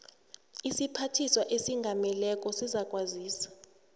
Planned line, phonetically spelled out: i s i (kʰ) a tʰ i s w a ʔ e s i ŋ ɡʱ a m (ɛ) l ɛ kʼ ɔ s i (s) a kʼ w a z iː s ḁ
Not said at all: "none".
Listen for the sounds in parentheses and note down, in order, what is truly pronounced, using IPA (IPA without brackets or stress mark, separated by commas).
pʰ, ɛ, z